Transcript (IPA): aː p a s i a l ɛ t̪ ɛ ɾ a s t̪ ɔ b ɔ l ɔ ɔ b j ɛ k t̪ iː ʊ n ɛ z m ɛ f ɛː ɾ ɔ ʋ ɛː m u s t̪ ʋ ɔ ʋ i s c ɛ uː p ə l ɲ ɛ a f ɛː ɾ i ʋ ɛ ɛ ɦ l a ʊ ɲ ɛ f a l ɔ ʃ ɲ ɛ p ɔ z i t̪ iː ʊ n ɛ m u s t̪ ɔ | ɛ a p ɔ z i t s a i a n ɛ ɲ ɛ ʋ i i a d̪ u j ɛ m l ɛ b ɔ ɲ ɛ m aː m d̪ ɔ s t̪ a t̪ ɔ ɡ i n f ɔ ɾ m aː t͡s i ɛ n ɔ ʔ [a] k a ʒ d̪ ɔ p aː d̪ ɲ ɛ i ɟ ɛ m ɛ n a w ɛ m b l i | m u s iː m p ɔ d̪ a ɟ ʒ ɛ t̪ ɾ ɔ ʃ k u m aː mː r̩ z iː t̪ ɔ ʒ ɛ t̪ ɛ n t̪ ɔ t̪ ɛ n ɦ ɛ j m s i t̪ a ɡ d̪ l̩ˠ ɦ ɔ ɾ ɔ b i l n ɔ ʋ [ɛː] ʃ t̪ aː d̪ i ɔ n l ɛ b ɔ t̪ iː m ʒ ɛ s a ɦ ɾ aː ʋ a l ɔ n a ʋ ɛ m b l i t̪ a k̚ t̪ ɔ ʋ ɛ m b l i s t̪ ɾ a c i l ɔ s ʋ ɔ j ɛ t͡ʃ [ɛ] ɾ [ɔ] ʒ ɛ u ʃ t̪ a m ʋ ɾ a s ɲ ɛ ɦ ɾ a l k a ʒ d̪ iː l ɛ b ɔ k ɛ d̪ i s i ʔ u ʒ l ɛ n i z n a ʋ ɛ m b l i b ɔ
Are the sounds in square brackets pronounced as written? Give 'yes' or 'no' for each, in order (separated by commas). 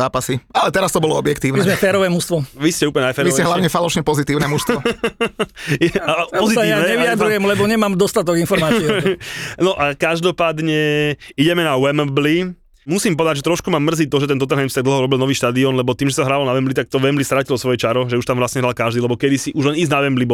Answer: yes, no, no, yes